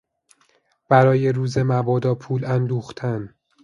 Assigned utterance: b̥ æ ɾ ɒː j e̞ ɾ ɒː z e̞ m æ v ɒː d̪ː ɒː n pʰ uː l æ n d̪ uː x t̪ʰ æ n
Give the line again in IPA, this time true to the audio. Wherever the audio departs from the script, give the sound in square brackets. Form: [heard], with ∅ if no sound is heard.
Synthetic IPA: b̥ æ ɾ ɒː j e̞ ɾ [uː] z e̞ m æ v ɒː [d̪] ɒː [∅] pʰ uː l æ n d̪ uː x t̪ʰ æ n